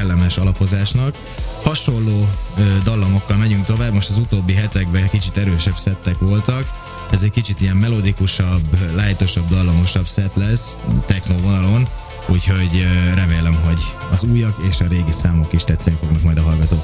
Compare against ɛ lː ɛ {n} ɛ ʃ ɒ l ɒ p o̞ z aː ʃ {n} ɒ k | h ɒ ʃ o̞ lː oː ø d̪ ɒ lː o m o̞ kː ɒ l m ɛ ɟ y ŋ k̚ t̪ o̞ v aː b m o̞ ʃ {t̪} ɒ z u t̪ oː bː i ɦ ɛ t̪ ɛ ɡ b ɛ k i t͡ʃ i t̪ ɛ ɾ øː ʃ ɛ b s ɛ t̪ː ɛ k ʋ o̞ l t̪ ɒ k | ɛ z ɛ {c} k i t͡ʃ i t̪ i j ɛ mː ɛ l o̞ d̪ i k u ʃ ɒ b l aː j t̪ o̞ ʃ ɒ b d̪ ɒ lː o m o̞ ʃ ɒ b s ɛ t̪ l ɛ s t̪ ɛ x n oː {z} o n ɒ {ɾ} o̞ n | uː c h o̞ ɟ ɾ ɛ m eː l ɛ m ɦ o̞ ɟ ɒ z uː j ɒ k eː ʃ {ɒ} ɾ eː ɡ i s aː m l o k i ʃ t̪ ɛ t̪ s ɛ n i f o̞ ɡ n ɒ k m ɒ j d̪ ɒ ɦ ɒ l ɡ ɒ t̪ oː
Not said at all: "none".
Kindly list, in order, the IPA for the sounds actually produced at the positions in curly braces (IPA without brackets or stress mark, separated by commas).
m, n, t̪, c, v, l, ɒ